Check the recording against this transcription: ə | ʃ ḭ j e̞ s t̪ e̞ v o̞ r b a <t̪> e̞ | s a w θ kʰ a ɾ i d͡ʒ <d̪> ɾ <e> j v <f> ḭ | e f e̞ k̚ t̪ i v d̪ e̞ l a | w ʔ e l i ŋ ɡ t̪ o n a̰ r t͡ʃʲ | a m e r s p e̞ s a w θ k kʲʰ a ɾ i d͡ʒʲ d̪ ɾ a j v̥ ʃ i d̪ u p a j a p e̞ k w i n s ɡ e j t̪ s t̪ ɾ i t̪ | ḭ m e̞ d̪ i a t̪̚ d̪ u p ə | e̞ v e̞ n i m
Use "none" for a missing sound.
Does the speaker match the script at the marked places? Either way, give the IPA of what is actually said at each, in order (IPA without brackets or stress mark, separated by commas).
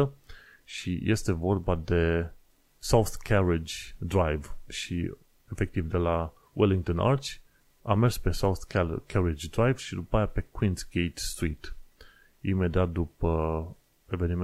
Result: d̪, d̪, a, ʃ